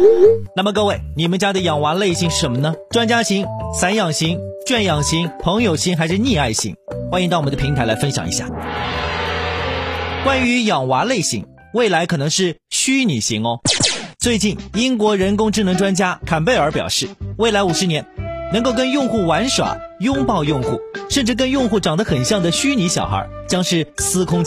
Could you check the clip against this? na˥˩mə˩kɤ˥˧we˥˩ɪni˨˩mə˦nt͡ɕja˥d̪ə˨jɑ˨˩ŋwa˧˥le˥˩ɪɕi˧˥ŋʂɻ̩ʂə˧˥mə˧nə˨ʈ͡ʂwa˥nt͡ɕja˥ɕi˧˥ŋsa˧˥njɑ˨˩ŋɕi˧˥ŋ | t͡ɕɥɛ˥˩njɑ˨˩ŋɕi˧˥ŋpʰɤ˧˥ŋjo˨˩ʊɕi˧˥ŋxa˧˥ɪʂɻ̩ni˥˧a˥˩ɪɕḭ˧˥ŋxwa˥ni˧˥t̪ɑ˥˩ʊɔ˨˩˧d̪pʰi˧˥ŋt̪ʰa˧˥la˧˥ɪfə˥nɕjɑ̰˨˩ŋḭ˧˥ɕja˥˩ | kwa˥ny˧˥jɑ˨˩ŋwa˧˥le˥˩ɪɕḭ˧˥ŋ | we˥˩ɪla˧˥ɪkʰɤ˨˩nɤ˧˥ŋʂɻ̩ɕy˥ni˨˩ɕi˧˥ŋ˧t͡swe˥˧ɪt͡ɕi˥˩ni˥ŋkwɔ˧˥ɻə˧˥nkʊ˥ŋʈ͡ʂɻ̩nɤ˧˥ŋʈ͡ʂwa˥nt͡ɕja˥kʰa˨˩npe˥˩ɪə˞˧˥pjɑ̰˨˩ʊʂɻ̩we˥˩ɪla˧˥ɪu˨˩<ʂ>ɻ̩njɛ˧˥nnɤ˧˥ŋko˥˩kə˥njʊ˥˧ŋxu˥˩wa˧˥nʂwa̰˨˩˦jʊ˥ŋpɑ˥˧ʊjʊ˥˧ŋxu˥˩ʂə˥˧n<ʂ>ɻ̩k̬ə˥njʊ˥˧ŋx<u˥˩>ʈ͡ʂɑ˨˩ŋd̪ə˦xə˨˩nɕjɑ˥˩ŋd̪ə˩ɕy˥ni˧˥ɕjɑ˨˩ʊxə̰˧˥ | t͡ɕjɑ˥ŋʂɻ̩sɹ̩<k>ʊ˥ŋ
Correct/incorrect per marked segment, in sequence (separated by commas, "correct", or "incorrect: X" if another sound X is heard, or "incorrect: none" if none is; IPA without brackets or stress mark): correct, incorrect: ʈ͡ʂ, correct, incorrect: kʰ